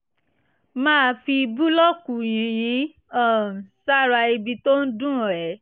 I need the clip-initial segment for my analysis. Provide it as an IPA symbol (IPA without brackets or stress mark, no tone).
m